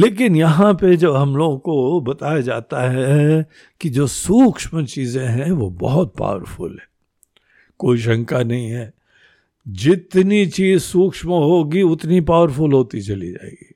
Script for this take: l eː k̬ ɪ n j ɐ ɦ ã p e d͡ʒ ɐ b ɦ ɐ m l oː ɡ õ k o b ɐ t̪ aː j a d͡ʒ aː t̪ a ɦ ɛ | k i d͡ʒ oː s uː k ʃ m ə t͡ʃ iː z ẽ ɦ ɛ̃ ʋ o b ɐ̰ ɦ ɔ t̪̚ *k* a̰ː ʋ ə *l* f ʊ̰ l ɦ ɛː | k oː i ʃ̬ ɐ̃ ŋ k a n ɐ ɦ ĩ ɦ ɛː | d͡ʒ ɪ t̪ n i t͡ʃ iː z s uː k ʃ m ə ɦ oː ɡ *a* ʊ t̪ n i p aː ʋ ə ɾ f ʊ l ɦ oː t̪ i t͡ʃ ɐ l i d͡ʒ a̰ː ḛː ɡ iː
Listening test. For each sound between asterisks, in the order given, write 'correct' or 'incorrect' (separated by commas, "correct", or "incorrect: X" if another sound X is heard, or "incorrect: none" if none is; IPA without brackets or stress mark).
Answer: incorrect: p, incorrect: ɾ, incorrect: i